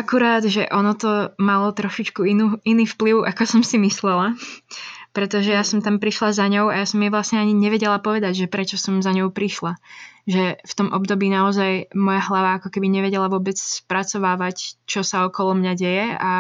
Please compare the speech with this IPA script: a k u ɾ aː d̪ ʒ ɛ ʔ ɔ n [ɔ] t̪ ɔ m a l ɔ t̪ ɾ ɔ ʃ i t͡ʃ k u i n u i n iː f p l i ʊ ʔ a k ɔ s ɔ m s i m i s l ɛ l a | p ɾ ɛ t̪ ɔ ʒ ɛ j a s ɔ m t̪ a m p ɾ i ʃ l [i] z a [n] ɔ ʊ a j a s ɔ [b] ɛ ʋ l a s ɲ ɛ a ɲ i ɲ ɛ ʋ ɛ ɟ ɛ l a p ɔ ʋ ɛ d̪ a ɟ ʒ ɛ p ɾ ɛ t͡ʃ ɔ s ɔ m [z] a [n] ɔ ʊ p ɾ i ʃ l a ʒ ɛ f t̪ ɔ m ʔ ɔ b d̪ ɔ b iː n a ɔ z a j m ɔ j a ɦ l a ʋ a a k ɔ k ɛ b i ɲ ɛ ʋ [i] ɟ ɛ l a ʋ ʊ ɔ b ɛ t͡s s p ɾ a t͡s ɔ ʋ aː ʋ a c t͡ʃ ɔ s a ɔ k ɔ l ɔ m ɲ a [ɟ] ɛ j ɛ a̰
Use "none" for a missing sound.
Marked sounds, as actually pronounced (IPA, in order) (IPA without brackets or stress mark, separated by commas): ɔ, a, ɲ, m, z, ɲ, ɛ, ɟ